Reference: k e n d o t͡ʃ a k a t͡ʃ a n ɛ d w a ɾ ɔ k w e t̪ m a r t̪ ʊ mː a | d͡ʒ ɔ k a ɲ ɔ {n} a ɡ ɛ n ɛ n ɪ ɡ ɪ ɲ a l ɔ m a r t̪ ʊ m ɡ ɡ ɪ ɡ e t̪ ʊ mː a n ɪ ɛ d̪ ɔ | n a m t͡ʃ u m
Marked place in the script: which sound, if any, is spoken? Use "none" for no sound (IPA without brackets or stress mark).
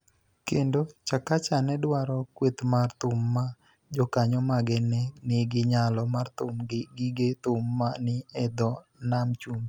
m